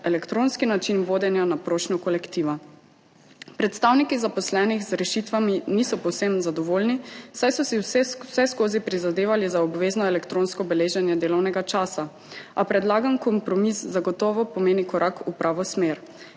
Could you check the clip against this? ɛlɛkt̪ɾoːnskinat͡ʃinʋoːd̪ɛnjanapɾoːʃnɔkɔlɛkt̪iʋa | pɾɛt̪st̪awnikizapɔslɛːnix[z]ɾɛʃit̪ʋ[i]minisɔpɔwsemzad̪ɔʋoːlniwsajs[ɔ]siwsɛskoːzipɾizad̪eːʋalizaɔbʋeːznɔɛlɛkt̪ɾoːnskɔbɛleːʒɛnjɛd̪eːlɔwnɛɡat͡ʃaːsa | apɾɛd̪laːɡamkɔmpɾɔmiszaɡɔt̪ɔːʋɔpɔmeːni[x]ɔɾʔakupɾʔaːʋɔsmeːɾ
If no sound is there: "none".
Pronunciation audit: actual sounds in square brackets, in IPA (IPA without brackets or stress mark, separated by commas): z, a, ɔ, k